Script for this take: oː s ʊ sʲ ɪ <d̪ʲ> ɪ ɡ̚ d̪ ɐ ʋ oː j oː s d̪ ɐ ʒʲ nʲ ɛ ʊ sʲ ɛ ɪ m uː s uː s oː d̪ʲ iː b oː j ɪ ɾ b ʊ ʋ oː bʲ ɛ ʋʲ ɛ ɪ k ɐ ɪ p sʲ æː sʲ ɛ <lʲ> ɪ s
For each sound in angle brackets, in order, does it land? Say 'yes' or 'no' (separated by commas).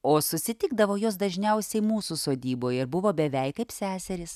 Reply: no, no